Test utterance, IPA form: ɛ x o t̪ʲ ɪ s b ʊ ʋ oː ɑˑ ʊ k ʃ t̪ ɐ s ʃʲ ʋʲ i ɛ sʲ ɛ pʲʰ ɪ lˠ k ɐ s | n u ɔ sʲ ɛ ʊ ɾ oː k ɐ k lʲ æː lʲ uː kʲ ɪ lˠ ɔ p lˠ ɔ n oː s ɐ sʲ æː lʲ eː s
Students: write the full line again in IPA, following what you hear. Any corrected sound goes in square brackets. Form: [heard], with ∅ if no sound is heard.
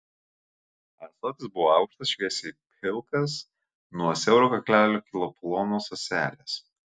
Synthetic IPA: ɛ [s] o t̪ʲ ɪ s b ʊ ʋ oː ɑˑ ʊ k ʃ t̪ ɐ s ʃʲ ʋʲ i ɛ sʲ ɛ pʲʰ ɪ lˠ k ɐ s | n u ɔ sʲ ɛ ʊ ɾ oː k ɐ k lʲ æː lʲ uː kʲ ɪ lˠ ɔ p lˠ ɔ n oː s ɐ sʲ æː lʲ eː s

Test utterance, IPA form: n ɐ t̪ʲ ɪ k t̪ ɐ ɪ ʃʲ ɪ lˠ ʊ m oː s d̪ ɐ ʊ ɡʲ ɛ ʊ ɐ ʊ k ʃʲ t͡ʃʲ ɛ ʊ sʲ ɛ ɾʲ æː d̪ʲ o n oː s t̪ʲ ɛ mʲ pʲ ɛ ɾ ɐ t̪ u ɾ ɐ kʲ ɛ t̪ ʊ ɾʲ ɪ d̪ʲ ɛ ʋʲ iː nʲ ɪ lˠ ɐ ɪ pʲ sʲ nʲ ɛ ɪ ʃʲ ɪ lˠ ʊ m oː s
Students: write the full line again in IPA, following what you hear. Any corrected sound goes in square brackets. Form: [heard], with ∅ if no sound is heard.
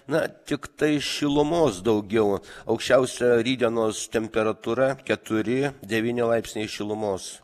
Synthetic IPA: n ɐ t̪ʲ ɪ k t̪ ɐ ɪ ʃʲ ɪ lˠ ʊ m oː s d̪ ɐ ʊ ɡʲ ɛ ʊ ɐ ʊ k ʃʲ t͡ʃʲ ɛ ʊ sʲ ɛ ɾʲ [iː] d̪ʲ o n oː s t̪ʲ ɛ mʲ pʲ ɛ ɾ ɐ t̪ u ɾ ɐ kʲ ɛ t̪ ʊ ɾʲ ɪ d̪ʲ ɛ ʋʲ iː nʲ ɪ lˠ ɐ ɪ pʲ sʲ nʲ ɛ ɪ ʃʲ ɪ lˠ ʊ m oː s

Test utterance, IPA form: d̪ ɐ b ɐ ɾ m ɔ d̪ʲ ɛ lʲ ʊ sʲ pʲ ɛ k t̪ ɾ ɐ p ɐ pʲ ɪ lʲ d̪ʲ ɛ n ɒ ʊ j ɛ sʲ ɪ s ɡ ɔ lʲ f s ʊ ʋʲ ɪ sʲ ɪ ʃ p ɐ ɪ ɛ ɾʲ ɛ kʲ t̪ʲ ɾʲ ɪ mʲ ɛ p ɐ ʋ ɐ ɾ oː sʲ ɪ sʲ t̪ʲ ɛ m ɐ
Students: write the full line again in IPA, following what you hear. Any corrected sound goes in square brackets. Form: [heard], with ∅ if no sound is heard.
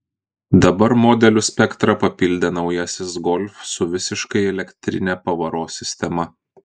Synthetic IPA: d̪ ɐ b ɐ ɾ m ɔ d̪ʲ ɛ lʲ ʊ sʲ pʲ ɛ k t̪ ɾ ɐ p ɐ pʲ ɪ lʲ d̪ʲ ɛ n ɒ ʊ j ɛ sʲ ɪ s ɡ ɔ lʲ f s ʊ ʋʲ ɪ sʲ ɪ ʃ [k] ɐ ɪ ɛ [lʲ] ɛ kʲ t̪ʲ ɾʲ ɪ [nʲ] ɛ p ɐ ʋ ɐ ɾ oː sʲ ɪ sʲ t̪ʲ ɛ m ɐ

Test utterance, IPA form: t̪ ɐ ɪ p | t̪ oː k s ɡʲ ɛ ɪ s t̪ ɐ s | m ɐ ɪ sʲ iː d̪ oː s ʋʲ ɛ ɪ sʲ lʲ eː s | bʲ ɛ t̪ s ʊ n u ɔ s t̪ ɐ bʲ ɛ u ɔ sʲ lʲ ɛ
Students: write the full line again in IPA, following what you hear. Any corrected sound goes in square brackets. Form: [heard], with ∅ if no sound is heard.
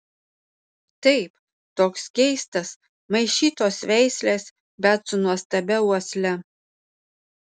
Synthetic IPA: t̪ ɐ ɪ p | t̪ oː k s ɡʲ ɛ ɪ s t̪ ɐ s | m ɐ ɪ [ʃʲ] iː [t̪] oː s ʋʲ ɛ ɪ sʲ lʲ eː s | bʲ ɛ t̪ s ʊ n u ɔ s t̪ ɐ bʲ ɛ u ɔ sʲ lʲ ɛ

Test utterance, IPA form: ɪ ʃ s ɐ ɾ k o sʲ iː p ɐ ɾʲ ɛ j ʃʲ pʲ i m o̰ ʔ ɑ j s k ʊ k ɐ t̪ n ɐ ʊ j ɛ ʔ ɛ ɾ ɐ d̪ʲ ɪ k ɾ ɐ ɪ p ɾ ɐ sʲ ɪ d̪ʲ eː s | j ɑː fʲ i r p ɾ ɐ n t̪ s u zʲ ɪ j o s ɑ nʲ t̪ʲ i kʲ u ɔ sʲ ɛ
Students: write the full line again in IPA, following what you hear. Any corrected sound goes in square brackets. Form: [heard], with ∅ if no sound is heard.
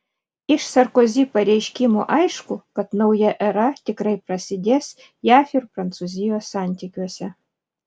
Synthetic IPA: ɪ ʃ s ɐ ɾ k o [zʲ] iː p ɐ ɾʲ ɛ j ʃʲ [kʲ] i m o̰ ʔ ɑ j [ʃ] k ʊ k ɐ t̪ n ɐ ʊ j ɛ ʔ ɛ ɾ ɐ [t̪ʲ] ɪ k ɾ ɐ ɪ p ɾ ɐ sʲ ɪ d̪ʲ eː s | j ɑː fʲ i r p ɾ ɐ n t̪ s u zʲ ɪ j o s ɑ nʲ t̪ʲ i kʲ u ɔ sʲ ɛ

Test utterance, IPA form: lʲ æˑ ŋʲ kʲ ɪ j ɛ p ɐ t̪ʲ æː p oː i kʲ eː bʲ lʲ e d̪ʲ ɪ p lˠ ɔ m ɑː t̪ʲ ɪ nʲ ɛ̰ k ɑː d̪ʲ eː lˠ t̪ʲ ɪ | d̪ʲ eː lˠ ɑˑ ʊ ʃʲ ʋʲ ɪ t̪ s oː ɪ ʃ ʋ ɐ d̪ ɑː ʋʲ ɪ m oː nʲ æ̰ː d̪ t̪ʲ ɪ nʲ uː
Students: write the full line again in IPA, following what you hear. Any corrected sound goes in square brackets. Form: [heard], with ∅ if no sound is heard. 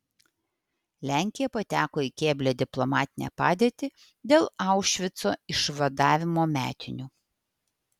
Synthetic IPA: lʲ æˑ ŋʲ kʲ ɪ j ɛ p ɐ t̪ʲ æː [k] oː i kʲ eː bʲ lʲ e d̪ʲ ɪ p lˠ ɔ m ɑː t̪ʲ ɪ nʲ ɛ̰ [p] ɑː d̪ʲ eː [∅] t̪ʲ ɪ | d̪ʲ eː lˠ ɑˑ ʊ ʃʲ ʋʲ ɪ t̪ s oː ɪ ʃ ʋ ɐ d̪ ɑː ʋʲ ɪ m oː [mʲ] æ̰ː [∅] t̪ʲ ɪ nʲ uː

